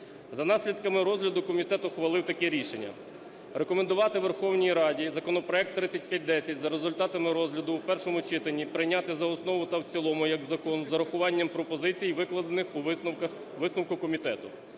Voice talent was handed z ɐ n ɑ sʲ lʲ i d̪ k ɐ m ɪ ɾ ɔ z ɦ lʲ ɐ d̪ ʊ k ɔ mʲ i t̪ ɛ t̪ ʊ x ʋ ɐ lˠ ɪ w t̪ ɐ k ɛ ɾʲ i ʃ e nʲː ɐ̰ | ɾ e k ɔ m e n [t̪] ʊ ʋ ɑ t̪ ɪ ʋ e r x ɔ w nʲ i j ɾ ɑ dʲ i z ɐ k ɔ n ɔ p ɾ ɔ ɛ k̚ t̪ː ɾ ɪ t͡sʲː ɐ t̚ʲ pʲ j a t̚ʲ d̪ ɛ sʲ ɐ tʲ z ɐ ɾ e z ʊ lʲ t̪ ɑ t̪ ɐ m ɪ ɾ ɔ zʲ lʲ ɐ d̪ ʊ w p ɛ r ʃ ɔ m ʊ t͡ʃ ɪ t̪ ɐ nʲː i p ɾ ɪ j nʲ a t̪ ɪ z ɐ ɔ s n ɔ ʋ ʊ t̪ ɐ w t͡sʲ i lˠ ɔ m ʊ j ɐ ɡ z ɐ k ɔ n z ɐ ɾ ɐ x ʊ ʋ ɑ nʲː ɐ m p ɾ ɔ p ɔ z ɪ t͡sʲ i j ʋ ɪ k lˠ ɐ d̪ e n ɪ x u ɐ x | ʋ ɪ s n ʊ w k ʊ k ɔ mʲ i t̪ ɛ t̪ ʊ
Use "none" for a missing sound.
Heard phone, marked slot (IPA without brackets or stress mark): d̪